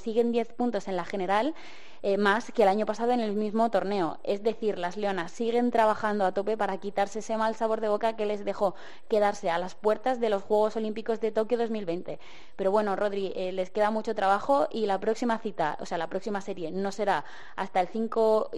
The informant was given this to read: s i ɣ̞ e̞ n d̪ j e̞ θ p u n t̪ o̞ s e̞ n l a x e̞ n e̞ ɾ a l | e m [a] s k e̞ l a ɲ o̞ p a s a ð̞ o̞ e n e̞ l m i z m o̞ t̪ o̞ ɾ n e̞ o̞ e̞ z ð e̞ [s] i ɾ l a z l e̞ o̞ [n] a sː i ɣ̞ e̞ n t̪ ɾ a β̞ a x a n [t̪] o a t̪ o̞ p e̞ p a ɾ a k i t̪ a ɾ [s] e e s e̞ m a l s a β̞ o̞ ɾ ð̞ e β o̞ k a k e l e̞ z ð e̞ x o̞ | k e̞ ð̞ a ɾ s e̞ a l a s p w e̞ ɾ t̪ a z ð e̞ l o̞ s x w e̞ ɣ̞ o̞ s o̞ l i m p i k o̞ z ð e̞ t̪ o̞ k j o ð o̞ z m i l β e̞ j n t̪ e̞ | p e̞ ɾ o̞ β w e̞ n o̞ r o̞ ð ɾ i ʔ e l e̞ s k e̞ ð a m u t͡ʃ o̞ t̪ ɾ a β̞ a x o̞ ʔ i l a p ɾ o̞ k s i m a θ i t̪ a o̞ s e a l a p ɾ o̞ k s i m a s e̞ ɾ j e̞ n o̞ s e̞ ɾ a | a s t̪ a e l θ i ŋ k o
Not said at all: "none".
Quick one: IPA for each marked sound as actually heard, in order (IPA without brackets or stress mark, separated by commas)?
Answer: a, θ, n, d̪, s